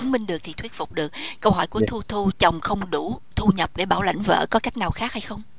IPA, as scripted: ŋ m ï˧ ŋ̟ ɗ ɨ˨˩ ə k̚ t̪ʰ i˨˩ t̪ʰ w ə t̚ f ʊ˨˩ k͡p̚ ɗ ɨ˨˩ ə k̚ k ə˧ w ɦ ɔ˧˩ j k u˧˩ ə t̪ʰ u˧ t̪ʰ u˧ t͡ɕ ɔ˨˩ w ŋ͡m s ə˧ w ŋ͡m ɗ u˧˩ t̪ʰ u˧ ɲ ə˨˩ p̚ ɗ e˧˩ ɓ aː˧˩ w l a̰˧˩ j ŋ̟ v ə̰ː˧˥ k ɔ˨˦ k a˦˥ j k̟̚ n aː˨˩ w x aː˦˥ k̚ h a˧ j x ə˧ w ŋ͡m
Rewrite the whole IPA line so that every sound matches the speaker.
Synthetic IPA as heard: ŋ m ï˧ ŋ̟ ɗ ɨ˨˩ ə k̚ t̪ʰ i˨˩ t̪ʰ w ə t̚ f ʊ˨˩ k͡p̚ ɗ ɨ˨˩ ə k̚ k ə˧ w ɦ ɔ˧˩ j k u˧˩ ə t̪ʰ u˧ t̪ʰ u˧ t͡ɕ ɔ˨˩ w ŋ͡m x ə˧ w ŋ͡m ɗ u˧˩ t̪ʰ u˧ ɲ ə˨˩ p̚ ɗ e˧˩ ɓ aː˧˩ w l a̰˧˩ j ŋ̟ v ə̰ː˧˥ k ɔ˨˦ k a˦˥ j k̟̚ n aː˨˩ w x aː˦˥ k̚ h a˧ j x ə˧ w ŋ͡m